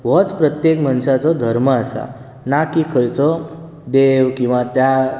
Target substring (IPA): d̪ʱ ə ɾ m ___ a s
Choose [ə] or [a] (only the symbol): ə